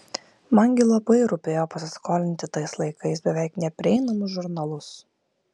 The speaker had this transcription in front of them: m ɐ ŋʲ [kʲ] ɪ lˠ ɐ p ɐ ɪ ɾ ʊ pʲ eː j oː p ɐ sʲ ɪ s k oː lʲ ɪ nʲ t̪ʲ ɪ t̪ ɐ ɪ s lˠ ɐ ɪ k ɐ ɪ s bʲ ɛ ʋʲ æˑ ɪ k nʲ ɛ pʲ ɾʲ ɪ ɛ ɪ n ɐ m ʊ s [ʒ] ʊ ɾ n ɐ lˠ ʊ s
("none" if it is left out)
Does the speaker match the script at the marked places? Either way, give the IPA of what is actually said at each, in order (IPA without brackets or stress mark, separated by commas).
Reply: ɡʲ, ʒ